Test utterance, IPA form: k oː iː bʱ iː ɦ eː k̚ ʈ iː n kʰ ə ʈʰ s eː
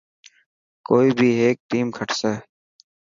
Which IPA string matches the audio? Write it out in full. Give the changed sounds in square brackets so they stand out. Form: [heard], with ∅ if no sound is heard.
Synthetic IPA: k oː iː bʱ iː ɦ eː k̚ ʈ iː [m] kʰ ə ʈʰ s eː